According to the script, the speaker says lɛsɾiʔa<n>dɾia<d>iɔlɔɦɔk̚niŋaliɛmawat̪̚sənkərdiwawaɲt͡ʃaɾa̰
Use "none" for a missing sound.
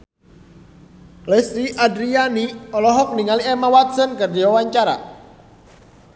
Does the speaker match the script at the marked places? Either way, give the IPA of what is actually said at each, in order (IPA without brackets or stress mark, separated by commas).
none, n